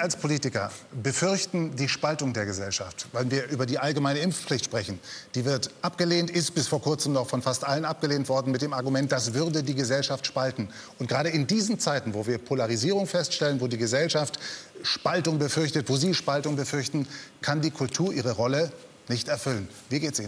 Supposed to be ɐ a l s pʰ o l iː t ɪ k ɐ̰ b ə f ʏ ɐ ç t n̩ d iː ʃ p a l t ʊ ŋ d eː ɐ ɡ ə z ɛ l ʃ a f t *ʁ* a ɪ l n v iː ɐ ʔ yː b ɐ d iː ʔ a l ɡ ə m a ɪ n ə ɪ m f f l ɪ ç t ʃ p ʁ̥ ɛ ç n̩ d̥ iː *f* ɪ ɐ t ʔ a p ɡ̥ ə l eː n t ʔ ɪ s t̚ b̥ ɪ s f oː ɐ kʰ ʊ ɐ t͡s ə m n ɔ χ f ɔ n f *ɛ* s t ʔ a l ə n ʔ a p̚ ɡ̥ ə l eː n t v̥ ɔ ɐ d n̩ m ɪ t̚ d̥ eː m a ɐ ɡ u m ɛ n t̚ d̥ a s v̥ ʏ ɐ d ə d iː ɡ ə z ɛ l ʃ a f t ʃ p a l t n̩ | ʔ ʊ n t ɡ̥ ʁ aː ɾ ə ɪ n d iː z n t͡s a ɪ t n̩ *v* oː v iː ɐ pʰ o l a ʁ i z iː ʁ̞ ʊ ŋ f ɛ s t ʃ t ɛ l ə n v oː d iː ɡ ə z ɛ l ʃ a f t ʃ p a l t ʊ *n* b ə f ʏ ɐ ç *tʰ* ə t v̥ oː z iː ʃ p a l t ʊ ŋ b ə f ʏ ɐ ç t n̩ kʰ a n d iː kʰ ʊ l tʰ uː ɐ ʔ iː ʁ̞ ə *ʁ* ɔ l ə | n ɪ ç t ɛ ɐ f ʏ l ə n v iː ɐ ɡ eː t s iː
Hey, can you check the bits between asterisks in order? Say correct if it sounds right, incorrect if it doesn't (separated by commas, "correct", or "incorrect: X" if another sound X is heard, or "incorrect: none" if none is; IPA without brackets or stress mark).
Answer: incorrect: v, incorrect: v, incorrect: a, correct, incorrect: ŋ, incorrect: t, correct